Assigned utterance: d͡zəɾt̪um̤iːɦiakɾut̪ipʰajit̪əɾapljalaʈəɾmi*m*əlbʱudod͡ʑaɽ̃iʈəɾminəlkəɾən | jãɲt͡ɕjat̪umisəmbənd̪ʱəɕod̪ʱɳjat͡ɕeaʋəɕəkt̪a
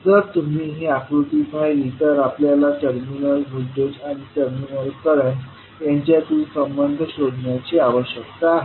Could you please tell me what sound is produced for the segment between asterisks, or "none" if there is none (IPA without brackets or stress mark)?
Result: n